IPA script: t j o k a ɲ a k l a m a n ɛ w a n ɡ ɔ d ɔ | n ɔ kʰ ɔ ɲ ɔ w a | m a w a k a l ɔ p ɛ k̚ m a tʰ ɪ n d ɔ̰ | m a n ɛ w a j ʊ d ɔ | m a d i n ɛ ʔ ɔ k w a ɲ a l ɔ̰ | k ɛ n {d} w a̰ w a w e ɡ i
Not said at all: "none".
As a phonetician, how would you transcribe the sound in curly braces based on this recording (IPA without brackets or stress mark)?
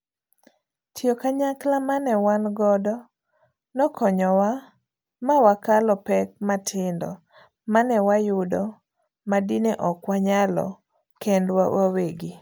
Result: d